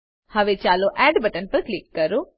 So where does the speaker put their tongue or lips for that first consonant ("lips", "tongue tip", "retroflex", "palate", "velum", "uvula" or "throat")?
throat